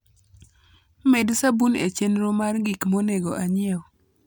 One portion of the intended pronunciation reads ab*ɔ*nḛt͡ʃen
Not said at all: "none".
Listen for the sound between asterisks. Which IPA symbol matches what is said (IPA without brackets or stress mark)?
u